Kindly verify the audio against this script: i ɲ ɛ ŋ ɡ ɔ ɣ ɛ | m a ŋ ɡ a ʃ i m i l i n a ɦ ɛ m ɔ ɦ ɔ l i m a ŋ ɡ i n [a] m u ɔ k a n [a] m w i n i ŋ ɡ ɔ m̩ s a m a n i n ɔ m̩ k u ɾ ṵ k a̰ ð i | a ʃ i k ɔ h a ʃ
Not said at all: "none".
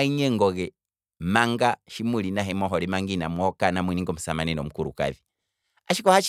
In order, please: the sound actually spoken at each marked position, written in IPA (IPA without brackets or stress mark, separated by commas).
a, a